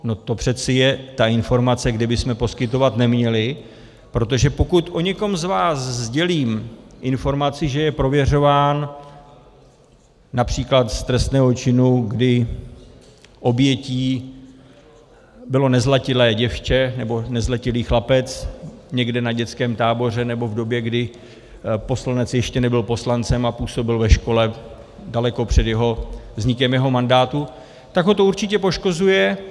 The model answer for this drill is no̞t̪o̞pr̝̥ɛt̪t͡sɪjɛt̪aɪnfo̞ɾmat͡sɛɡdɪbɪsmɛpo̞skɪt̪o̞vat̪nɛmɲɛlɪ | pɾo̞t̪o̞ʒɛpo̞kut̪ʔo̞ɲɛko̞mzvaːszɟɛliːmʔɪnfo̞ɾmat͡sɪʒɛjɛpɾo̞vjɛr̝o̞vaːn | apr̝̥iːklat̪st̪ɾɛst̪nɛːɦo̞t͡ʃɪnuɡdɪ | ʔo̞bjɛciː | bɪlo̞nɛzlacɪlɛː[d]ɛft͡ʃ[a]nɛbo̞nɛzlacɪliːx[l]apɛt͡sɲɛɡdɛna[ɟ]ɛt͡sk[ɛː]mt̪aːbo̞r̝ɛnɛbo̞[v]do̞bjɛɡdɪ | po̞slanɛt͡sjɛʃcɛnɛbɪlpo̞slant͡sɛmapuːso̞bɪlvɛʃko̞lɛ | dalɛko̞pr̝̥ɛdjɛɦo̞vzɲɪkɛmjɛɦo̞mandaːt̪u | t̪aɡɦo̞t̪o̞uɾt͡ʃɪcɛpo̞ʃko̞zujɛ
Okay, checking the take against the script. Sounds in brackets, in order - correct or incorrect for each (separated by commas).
incorrect, incorrect, correct, correct, correct, correct